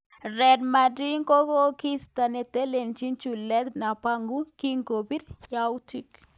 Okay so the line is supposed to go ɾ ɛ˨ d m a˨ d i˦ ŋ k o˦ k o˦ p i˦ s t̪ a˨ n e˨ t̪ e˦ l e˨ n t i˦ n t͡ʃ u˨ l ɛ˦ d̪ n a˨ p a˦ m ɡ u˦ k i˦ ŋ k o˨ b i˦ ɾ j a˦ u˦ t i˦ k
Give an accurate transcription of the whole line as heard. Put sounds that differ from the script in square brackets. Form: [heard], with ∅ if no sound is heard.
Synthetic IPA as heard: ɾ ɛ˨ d m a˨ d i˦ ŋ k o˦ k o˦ [k] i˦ s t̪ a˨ n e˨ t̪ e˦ l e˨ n [t͡ʃ] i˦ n t͡ʃ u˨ l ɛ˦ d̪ n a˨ p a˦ [ŋ] ɡ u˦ k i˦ ŋ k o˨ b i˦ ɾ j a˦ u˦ t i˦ k